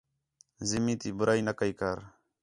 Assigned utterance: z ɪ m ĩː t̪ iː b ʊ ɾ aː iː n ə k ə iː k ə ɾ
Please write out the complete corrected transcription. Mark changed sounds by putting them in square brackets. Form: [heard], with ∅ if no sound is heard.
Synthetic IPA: z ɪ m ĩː t̪ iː b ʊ ɾ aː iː n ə k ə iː k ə ɾ